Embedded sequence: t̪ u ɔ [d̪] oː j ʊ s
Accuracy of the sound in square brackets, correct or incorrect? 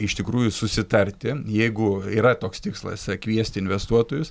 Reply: incorrect